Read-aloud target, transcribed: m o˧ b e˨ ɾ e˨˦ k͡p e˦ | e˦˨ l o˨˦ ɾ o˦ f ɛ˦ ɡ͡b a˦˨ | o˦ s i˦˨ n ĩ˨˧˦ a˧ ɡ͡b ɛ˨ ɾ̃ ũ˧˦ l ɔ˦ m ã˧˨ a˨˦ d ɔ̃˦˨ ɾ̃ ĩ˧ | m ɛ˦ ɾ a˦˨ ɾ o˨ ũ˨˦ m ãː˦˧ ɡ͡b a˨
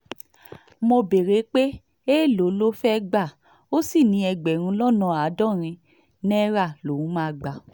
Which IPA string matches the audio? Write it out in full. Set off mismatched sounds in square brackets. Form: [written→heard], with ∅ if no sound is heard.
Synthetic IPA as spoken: m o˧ b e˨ ɾ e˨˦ k͡p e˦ | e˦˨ l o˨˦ [ɾ→l] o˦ f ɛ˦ ɡ͡b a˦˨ | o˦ s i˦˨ n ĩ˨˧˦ [a˧→ɛ˧] ɡ͡b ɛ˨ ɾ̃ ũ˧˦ l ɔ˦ [m→n] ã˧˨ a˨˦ d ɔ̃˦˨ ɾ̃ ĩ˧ | [m→n] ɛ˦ ɾ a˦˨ [ɾ→l] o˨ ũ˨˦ m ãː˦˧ ɡ͡b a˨